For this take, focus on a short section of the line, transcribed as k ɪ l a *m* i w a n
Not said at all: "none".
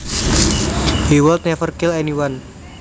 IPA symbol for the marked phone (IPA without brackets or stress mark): n